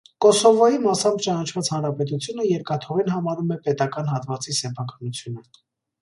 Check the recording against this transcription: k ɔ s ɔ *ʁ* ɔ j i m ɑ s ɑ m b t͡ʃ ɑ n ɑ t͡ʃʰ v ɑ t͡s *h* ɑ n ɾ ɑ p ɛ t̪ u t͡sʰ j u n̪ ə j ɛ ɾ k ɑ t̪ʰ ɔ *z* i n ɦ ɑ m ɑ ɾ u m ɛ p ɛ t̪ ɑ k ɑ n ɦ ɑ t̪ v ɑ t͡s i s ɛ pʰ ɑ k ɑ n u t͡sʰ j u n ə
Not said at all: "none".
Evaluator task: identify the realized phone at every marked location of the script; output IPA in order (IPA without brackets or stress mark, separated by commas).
v, h, ʁ